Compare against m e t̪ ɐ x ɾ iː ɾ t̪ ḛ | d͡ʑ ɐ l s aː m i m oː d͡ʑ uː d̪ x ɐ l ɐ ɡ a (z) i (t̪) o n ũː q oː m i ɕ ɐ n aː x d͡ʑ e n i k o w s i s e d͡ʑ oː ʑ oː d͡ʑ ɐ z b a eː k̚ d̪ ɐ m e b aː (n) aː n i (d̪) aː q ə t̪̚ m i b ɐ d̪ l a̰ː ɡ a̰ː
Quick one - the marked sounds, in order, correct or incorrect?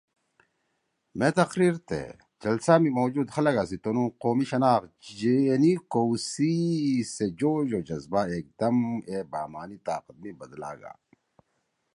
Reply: incorrect: s, correct, incorrect: m, incorrect: t̪

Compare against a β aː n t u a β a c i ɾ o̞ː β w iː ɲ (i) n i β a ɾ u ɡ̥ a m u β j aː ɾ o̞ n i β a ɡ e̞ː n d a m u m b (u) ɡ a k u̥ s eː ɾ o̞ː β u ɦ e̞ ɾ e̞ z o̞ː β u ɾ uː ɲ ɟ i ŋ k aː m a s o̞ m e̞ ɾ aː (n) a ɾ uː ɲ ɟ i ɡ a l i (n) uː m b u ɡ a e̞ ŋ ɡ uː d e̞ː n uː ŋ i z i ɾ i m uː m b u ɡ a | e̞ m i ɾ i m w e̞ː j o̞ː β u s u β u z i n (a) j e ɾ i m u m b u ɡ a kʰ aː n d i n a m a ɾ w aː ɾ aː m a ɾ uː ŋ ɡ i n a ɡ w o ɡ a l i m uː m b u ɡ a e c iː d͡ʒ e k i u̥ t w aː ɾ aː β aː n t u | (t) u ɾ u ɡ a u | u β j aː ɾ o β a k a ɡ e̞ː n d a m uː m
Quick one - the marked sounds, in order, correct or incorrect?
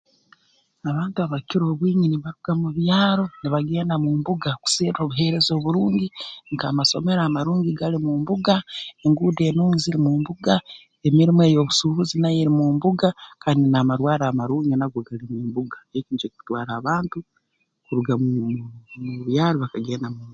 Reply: correct, correct, incorrect: m, incorrect: m, correct, incorrect: k

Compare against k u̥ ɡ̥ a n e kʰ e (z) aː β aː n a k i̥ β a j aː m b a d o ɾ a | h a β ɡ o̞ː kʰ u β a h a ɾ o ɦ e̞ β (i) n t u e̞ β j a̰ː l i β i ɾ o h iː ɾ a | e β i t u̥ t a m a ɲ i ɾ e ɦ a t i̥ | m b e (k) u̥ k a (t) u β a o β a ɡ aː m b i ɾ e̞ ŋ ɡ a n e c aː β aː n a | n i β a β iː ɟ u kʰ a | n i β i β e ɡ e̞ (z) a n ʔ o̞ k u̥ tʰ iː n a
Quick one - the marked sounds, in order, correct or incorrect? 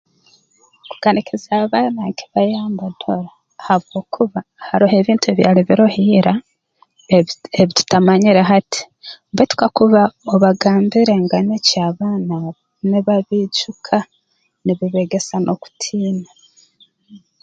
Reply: correct, incorrect: iː, incorrect: t, incorrect: k, incorrect: s

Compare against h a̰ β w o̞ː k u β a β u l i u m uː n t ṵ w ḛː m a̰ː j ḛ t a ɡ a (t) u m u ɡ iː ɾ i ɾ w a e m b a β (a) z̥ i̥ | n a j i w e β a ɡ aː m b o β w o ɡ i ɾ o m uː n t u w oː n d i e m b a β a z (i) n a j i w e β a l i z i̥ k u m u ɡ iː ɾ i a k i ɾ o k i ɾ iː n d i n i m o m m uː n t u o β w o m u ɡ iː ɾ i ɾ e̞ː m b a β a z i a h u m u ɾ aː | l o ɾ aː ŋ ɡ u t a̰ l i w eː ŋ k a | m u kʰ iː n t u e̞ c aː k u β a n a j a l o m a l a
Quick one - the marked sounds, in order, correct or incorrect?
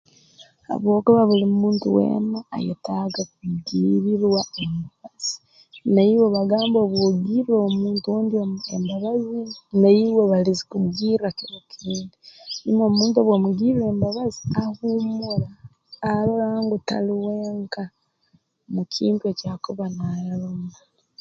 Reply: incorrect: k, correct, correct

